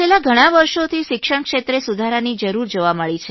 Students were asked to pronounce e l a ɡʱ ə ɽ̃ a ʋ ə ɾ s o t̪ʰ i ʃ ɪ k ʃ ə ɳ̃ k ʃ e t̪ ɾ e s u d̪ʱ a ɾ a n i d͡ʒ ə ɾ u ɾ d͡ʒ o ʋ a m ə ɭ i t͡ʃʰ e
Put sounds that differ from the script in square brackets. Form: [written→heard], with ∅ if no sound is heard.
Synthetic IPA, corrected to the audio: e l a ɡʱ ə ɽ̃ a ʋ ə ɾ [s→ʃ] o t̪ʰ i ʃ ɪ k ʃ ə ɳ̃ k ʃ e t̪ ɾ e s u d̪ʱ a ɾ a n i d͡ʒ ə ɾ u ɾ d͡ʒ o ʋ a m ə ɭ i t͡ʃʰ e